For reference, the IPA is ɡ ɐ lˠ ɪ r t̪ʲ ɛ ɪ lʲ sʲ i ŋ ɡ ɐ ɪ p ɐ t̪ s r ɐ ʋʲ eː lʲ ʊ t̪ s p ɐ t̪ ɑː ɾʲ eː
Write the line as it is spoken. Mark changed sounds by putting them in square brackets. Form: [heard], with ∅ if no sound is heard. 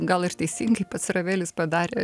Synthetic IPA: ɡ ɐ lˠ ɪ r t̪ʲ ɛ ɪ [∅] sʲ i ŋ ɡ ɐ ɪ p ɐ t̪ s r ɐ ʋʲ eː lʲ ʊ [∅] s p ɐ [d̪] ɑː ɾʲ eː